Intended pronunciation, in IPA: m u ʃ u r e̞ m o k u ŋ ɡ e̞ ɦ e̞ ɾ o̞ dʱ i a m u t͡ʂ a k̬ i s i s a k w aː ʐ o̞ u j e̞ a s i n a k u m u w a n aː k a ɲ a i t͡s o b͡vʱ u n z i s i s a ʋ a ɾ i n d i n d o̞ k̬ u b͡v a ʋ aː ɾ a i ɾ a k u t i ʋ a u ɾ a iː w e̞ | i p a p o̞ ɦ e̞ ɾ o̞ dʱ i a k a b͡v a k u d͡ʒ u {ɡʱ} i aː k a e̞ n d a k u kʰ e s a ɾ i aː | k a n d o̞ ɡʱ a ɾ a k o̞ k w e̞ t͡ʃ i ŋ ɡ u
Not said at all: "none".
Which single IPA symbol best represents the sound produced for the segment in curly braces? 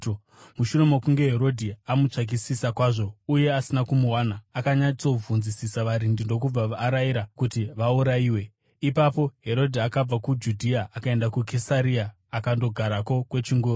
dʱ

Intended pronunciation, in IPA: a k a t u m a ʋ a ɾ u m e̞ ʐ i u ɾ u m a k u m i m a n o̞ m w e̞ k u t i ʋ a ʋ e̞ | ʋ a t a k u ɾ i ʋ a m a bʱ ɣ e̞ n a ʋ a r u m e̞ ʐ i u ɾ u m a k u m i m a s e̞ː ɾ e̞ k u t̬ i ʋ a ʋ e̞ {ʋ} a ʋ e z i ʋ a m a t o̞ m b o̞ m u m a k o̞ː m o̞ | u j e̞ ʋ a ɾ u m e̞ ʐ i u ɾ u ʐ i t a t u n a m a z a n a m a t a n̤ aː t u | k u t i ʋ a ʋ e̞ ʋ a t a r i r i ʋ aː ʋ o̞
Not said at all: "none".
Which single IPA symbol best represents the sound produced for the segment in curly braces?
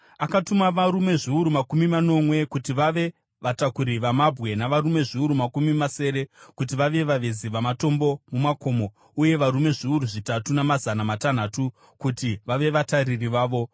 ʋ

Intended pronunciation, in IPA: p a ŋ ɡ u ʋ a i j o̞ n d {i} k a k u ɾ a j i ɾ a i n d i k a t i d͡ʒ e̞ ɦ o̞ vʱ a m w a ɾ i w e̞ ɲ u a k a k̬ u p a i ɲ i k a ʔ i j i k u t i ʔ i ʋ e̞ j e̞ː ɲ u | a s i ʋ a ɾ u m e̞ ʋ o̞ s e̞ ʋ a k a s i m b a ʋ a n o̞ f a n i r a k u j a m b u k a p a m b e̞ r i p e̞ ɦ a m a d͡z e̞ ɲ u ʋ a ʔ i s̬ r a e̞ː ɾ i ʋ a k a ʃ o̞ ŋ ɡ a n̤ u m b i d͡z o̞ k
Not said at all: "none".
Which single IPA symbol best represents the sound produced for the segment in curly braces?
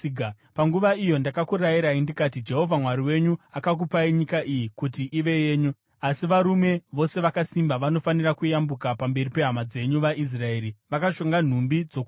a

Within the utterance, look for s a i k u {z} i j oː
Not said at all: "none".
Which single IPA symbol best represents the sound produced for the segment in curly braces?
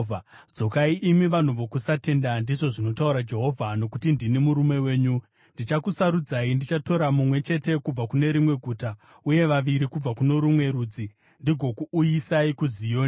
z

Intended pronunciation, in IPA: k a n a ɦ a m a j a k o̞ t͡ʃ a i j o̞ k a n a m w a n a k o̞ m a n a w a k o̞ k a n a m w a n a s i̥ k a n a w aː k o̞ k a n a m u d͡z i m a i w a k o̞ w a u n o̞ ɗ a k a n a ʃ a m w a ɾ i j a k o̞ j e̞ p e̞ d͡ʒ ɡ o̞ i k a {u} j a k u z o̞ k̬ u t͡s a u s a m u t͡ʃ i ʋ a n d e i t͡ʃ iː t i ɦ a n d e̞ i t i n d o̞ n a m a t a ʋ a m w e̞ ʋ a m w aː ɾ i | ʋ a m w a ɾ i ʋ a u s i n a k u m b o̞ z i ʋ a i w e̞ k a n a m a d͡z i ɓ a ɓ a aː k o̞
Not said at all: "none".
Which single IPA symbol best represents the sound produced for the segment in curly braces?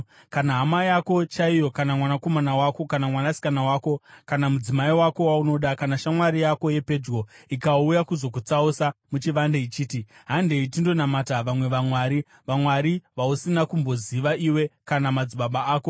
u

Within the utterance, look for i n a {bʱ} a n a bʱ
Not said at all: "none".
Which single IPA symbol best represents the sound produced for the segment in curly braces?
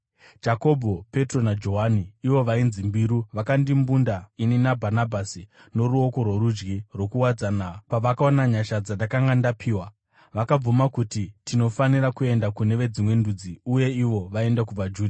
bʱ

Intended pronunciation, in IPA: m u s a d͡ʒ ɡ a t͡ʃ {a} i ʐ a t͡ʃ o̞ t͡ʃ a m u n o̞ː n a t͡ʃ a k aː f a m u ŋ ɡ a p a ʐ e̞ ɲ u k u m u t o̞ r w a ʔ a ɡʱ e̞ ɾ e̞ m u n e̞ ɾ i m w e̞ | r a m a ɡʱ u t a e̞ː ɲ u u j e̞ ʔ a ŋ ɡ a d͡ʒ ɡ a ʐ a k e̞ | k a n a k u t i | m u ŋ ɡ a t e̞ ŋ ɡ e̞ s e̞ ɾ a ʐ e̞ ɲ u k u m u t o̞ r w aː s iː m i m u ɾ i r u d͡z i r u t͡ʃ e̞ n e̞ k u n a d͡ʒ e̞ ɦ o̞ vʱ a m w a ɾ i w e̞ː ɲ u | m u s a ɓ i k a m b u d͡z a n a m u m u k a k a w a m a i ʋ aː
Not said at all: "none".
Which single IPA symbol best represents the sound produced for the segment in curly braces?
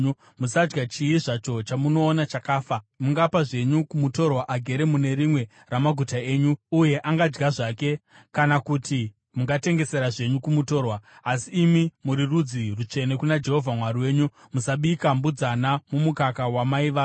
i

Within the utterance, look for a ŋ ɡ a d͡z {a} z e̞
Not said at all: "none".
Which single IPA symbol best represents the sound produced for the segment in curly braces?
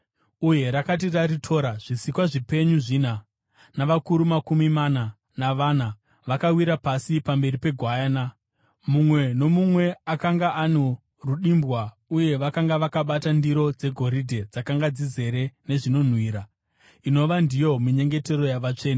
i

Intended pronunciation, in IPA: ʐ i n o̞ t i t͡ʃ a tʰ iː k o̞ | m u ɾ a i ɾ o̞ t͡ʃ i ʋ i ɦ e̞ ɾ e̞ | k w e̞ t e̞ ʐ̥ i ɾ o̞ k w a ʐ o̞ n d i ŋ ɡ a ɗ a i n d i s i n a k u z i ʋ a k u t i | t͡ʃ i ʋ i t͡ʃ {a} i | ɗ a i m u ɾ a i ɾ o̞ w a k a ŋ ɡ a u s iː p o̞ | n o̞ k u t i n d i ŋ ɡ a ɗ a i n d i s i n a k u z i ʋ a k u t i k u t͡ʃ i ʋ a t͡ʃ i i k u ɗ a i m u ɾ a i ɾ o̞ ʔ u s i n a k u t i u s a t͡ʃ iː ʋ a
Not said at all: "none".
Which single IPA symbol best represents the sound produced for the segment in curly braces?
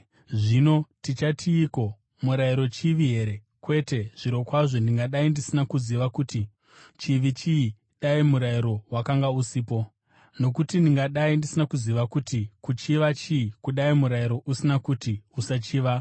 i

